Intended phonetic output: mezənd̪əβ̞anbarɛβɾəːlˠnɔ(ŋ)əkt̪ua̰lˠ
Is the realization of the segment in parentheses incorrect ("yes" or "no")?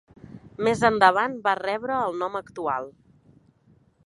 yes